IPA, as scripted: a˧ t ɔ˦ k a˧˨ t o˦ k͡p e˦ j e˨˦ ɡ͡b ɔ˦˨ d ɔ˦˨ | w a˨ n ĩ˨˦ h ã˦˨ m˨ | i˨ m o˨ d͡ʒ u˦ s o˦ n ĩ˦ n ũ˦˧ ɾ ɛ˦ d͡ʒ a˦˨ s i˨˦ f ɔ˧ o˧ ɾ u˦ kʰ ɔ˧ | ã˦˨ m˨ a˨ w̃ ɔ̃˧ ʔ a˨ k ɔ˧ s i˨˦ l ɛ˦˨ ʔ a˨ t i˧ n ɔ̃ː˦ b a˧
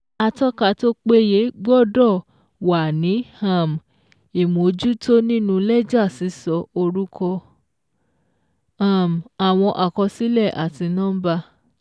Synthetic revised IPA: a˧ t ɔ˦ k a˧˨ t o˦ k͡p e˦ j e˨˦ ɡ͡b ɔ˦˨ d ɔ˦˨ | w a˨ n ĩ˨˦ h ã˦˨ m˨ | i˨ m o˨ d͡ʒ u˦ t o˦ n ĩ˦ n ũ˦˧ l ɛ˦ d͡ʒ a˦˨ s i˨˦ s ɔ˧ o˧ ɾ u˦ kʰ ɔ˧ | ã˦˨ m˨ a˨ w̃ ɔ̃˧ ʔ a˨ k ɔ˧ s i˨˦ l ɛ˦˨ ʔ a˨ t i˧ n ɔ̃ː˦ b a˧